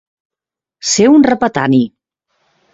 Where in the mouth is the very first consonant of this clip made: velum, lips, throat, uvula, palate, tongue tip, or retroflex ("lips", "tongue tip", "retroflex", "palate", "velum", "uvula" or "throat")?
tongue tip